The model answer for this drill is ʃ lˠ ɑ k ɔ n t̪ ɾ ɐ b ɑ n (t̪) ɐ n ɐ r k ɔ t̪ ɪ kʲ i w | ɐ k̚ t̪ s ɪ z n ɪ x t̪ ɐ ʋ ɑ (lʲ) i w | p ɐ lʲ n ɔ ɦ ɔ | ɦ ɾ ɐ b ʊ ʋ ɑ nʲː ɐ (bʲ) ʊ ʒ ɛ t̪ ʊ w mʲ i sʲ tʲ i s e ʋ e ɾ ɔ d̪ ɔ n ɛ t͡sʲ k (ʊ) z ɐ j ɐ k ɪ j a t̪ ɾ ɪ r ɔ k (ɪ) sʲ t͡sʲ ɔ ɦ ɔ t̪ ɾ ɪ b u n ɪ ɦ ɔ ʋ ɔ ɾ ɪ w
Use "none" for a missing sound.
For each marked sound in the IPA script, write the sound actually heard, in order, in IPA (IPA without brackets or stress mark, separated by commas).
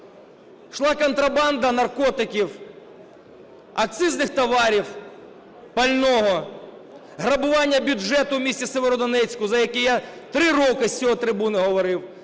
d̪, ɾʲ, bʲ, ʊ, ɪ